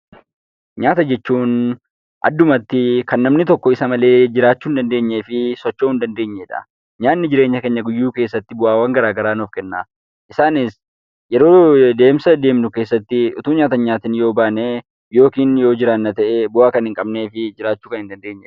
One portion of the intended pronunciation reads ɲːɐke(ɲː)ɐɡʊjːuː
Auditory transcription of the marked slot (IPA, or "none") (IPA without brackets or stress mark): ɲː